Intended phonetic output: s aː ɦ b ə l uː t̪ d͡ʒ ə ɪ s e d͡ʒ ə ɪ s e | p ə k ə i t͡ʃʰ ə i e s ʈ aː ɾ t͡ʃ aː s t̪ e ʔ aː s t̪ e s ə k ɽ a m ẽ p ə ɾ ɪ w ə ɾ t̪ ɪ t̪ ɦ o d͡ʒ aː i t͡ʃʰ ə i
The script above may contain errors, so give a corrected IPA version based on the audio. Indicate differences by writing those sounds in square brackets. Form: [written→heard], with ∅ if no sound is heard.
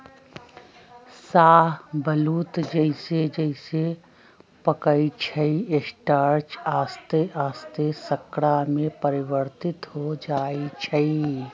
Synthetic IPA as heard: s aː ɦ b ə l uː t̪ d͡ʒ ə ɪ s e d͡ʒ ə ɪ s e | p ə k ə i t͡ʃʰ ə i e s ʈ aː ɾ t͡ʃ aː s t̪ e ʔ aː s t̪ e s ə k ɽ a m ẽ p ə ɾ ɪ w ə ɾ t̪ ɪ t̪ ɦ o d͡ʒ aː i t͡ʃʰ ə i